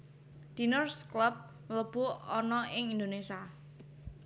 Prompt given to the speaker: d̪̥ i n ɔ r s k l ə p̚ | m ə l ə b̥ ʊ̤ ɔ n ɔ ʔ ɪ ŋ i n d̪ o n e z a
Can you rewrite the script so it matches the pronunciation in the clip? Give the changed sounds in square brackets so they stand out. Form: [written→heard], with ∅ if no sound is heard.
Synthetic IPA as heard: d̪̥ i n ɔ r s k l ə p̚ | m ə l ə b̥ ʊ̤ ɔ n ɔ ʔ ɪ ŋ i n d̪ o n e [z→s] a